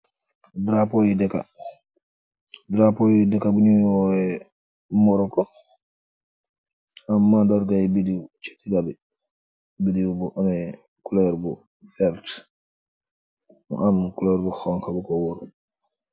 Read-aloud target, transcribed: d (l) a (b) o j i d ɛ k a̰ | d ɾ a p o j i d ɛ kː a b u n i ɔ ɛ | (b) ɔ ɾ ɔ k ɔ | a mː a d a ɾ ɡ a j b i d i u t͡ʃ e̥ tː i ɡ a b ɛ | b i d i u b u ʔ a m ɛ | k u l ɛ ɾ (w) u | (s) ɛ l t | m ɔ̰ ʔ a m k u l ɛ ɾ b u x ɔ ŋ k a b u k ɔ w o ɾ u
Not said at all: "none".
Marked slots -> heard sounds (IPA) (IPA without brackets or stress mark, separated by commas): ɾ, p, m, b, f